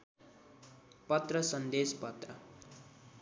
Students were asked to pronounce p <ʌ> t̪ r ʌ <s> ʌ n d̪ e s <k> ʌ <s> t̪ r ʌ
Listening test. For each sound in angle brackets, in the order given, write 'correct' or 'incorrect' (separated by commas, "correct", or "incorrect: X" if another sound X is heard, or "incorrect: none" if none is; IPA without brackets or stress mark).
correct, correct, incorrect: p, incorrect: none